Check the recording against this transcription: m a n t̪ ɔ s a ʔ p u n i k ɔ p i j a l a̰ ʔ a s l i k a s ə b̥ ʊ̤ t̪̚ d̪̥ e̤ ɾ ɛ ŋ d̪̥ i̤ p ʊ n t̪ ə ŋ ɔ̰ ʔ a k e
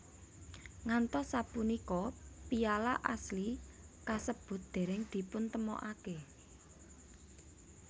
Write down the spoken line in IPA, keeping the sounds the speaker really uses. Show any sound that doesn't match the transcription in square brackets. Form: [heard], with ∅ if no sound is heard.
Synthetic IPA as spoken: [ŋ] a n t̪ ɔ s a [∅] p u n i k ɔ p i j a l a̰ ʔ a s l i k a s ə b̥ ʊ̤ t̪̚ d̪̥ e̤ ɾ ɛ ŋ d̪̥ i̤ p ʊ n t̪ ə [m] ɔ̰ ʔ a k e

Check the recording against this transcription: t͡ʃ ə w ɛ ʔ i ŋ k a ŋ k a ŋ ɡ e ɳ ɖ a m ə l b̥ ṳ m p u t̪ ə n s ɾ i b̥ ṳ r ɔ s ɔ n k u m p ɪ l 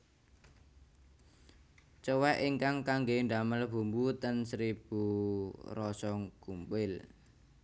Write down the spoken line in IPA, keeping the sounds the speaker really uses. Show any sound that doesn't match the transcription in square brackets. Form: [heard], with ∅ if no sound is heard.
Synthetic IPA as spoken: t͡ʃ ə w ɛ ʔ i ŋ k a ŋ k a ŋ ɡ e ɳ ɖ a m ə l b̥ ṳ m [b] u t̪ ə n s ɾ i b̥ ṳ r ɔ s ɔ [ŋ] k u m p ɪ l

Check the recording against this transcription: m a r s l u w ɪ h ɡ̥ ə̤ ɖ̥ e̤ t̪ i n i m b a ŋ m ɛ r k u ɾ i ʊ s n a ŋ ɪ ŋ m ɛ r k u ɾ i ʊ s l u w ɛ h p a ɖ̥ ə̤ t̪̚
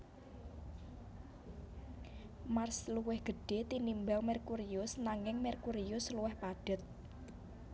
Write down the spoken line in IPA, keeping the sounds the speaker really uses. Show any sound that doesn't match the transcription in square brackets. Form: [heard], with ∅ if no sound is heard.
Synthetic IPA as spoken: m a r s l u w ɪ h ɡ̥ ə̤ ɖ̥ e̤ t̪ i n i m b a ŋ m ɛ r k u ɾ i ʊ s n a ŋ ɪ ŋ m ɛ r k u ɾ i ʊ s l u w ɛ h p a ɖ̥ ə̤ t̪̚

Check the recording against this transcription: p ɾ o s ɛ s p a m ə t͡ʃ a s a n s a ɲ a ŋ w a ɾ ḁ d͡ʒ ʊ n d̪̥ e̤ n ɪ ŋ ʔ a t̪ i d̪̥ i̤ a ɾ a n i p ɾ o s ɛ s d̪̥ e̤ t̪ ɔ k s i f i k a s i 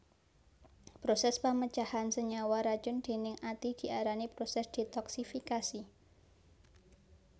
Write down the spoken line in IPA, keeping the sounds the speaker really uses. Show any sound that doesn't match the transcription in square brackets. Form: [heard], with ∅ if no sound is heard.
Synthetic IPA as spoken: p ɾ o s ɛ s p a m ə t͡ʃ a [h] a n s [ə] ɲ a [∅] w a ɾ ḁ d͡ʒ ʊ n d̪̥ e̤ n ɪ ŋ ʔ a t̪ i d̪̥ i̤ a ɾ a n i p ɾ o s ɛ s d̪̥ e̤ t̪ ɔ k s i f i k a s i

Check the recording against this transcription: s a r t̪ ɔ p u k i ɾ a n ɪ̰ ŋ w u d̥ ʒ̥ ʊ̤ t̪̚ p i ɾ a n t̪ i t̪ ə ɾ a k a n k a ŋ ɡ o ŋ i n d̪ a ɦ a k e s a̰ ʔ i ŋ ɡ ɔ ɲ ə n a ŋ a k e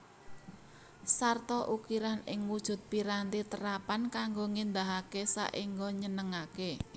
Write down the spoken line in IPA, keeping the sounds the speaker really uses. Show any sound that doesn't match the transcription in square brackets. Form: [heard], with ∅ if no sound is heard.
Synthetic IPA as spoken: s a r t̪ ɔ [ʔ] u k i ɾ a n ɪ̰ ŋ w u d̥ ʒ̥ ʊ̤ t̪̚ p i ɾ a n t̪ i t̪ ə ɾ a [p] a n k a ŋ ɡ o ŋ i n d̪ a ɦ a k e s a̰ ʔ i ŋ ɡ ɔ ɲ ə n [ə] ŋ a k e

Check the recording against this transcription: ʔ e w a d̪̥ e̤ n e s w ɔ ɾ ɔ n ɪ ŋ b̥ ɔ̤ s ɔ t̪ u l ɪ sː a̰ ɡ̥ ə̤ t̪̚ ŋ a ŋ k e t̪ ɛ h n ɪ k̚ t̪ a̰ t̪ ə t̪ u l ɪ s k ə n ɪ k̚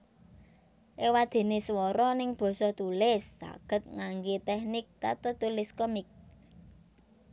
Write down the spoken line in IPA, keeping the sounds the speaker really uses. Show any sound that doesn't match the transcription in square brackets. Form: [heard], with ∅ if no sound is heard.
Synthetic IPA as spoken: ʔ e w a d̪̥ e̤ n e s w ɔ ɾ ɔ n ɪ ŋ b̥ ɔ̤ s ɔ t̪ u l ɪ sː a̰ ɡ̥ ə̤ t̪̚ ŋ a ŋ [ɡ] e t̪ ɛ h n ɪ k̚ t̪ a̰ t̪ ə t̪ u l ɪ s k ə [m] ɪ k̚

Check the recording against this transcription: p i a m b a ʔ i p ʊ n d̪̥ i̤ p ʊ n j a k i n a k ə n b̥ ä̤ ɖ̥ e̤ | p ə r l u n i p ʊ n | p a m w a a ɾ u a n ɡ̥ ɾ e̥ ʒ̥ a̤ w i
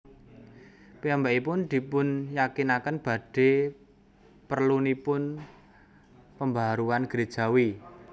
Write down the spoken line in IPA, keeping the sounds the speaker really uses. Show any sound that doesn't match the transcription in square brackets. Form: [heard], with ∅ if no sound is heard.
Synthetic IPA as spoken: p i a m b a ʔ i p ʊ n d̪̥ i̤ p ʊ n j a k i n a k ə n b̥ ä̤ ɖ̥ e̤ | p ə r l u n i p ʊ n | p [ə] m [b] a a ɾ u a n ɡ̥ ɾ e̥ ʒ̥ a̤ w i

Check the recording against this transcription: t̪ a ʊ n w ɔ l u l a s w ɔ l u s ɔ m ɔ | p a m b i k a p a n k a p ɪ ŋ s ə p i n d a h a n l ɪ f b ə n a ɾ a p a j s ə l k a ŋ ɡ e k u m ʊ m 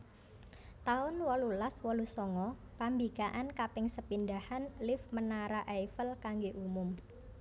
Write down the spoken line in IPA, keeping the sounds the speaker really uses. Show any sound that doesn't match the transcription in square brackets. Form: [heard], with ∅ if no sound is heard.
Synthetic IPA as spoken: t̪ a ʊ n w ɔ l u l a s w ɔ l u s ɔ [ŋ] ɔ | p a m b i k a [ʔ] a n k a p ɪ ŋ s ə p i n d a h a n l ɪ f [m] ə n a ɾ a [ʔ] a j [f] ə l k a ŋ ɡ e [ʔ] u m ʊ m

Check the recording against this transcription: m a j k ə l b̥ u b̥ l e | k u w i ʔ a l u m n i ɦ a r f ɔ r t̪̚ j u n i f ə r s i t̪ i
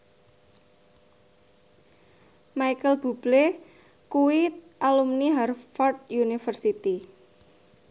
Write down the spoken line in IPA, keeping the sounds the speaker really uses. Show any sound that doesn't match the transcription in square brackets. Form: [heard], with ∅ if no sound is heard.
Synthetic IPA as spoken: m a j k ə l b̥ u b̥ l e | k u w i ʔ a l u m n i ɦ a r f ɔ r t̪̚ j u n i f ə r s i t̪ i

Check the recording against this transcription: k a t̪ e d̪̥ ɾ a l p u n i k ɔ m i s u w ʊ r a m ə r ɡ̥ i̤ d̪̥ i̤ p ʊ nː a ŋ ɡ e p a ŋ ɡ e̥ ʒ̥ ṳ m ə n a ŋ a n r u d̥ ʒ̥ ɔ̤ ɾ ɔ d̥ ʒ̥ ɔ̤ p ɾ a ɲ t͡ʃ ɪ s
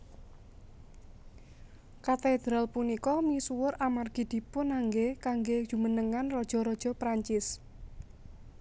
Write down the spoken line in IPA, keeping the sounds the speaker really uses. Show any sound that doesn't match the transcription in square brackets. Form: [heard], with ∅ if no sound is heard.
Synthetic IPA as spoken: k a t̪ e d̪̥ ɾ a l p u n i k ɔ m i s u w ʊ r a m [a] r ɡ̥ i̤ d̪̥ i̤ p ʊ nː a ŋ ɡ e [k] a ŋ ɡ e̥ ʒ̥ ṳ m ə n [ə] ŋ a n r [ɔ] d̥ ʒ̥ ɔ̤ ɾ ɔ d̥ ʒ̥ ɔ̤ p ɾ a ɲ t͡ʃ ɪ s

